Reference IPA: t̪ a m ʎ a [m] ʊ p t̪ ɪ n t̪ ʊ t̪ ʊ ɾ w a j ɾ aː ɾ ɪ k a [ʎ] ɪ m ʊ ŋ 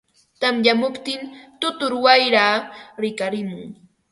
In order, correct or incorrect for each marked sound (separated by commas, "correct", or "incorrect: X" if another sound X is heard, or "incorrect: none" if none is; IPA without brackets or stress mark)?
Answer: correct, incorrect: ɾ